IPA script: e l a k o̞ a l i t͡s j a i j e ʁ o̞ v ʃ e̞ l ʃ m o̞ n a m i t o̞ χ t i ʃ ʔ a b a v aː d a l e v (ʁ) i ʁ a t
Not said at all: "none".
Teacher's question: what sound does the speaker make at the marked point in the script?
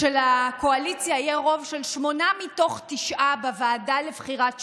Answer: χ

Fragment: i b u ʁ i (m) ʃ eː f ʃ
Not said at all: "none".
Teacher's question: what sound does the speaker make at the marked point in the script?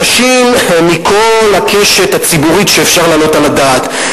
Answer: none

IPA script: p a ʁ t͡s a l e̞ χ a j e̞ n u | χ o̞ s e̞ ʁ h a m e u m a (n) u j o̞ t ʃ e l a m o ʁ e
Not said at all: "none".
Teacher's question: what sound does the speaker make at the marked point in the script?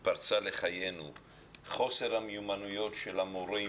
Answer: n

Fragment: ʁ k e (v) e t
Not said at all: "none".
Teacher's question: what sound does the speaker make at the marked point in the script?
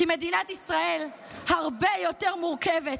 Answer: v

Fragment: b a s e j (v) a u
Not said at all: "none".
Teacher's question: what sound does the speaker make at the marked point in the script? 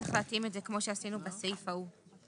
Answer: f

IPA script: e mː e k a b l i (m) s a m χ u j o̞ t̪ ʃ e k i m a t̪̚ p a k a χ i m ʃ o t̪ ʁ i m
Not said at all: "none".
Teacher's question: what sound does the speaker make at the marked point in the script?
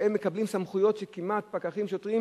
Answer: m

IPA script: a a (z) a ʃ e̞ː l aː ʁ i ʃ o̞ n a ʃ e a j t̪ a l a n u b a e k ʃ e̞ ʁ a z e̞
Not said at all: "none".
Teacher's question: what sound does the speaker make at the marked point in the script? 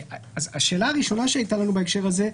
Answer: z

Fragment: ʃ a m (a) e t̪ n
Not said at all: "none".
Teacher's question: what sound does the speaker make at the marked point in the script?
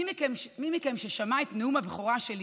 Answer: a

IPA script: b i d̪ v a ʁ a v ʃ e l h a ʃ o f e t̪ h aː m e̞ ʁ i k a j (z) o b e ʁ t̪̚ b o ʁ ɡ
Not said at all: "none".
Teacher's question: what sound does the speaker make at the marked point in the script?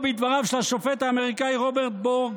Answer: ʁ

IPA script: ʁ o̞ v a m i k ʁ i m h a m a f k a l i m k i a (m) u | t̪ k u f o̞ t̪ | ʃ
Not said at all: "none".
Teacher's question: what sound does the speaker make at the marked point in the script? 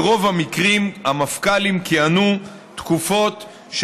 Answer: n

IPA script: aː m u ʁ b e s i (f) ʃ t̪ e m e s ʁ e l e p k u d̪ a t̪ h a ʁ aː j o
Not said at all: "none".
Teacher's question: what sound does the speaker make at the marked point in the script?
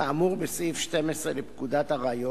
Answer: f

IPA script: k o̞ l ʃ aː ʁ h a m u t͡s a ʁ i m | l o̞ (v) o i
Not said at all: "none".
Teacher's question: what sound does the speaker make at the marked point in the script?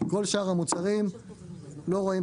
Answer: ʁ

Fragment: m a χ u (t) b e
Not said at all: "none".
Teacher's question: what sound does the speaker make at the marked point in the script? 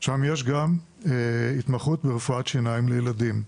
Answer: t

